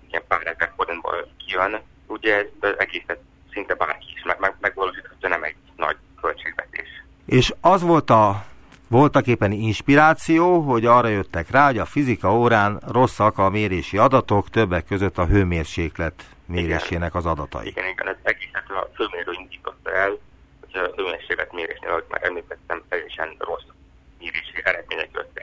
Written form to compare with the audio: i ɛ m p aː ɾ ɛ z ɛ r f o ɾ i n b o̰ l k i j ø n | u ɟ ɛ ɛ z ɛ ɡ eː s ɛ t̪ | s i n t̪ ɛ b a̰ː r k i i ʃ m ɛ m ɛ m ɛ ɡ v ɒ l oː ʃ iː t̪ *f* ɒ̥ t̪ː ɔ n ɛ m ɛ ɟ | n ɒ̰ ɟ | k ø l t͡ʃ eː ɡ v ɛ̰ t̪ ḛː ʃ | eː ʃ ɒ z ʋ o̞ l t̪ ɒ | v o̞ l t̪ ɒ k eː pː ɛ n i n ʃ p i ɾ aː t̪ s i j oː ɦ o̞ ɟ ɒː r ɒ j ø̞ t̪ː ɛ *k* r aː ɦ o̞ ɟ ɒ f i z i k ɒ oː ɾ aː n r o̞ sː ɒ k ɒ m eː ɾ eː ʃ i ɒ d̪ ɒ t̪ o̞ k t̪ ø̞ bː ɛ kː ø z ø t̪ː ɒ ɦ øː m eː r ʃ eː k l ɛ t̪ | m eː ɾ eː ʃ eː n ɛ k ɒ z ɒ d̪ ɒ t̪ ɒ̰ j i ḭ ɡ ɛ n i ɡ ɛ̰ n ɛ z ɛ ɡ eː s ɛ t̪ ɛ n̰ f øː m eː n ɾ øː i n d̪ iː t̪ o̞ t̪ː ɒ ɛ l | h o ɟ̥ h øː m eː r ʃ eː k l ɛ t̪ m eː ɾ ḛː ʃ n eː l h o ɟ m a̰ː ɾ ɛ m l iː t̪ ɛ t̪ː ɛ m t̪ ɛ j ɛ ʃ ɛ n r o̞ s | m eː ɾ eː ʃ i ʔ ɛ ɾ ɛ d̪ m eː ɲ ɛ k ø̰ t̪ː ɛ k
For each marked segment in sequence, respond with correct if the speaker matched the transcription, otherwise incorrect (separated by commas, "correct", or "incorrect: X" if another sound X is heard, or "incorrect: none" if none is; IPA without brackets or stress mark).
incorrect: h, correct